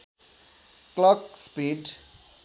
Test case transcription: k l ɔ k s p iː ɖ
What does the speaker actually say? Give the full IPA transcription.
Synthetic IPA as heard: k l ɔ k s p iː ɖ